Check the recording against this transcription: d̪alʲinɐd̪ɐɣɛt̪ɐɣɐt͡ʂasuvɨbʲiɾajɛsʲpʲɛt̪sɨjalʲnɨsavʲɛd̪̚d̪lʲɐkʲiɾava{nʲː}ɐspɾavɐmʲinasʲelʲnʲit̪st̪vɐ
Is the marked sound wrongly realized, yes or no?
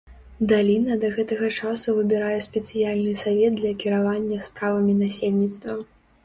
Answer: no